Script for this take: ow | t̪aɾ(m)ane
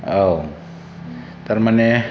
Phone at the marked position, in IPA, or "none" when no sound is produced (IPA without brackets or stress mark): m